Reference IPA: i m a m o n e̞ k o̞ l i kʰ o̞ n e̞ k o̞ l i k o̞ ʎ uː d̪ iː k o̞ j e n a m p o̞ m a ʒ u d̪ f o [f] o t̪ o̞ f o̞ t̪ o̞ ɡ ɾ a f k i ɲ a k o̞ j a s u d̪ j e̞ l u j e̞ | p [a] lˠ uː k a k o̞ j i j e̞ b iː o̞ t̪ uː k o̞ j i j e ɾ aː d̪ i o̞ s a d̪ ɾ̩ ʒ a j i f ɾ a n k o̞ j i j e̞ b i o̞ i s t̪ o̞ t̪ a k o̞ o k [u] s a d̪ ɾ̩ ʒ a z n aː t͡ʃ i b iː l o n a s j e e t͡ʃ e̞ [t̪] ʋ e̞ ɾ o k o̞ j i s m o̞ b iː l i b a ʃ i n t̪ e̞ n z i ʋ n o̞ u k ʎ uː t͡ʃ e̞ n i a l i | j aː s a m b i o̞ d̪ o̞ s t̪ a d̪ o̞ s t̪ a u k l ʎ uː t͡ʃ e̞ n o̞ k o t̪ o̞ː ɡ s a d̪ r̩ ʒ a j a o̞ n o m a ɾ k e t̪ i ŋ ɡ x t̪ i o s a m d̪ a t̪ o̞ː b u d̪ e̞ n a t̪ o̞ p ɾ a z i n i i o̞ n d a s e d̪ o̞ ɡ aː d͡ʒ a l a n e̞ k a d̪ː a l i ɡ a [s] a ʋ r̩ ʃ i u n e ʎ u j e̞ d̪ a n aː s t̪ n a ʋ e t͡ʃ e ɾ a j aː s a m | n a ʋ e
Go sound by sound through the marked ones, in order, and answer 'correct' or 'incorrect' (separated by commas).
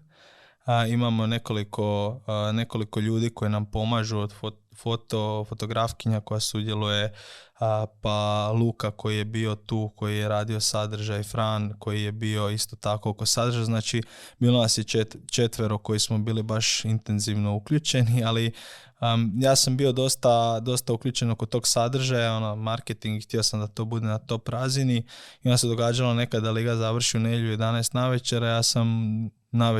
correct, correct, incorrect, correct, incorrect